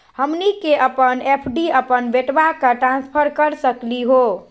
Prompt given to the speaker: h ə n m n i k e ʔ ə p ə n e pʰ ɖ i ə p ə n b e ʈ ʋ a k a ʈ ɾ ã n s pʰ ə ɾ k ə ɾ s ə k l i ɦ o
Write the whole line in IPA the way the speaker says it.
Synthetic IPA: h ə m n i k e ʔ ə p ə n e pʰ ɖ i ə p ə n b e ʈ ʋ a k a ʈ ɾ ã n s pʰ ə ɾ k ə ɾ s ə k l i ɦ o